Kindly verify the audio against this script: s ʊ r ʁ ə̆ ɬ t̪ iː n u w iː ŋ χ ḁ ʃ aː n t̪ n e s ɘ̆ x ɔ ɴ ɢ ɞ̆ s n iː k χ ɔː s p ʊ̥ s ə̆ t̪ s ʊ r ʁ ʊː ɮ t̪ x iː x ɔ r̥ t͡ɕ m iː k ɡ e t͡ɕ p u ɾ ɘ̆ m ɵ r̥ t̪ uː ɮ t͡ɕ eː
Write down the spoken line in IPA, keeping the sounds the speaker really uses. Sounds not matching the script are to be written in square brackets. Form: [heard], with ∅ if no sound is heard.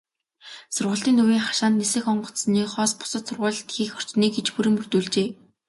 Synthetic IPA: s ʊ r ʁ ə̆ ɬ t̪ iː n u w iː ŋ χ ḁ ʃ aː n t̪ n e s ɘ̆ x ɔ ɴ ɢ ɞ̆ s n iː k χ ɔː s p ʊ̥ s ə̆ t̪ s ʊ r ʁ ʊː ɮ t̪ x iː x ɔ r̥ t͡ɕ [n] iː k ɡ e t͡ɕ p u ɾ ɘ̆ m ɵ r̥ t̪ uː ɮ t͡ɕ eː